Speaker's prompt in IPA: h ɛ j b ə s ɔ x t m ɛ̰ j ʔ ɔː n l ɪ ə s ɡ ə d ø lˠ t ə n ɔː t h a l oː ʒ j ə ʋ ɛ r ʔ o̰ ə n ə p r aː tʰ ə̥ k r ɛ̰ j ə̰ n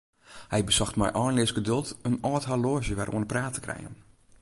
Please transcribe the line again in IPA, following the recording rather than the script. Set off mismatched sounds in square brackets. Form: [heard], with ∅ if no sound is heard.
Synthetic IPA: h ɛ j b ə s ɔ x t m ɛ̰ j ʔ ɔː n l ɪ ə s ɡ ə d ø lˠ t ə n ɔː t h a l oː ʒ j ə ʋ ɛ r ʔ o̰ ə n ə p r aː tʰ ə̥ k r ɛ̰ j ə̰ n